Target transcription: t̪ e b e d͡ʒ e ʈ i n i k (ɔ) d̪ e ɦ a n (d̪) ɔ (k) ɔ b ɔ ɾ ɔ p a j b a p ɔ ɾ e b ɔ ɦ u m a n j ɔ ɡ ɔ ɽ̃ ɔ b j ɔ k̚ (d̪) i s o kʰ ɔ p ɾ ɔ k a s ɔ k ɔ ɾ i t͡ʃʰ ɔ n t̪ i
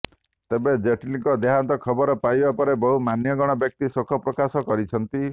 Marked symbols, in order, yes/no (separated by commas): yes, no, no, no